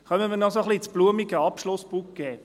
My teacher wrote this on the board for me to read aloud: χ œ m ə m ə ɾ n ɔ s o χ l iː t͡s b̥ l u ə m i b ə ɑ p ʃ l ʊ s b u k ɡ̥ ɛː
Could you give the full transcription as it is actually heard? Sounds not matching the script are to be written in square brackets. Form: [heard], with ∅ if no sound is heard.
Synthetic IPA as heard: χ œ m ə m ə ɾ n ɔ s o χ l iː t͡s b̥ l u ə m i [ɡ] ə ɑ p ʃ l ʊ s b u k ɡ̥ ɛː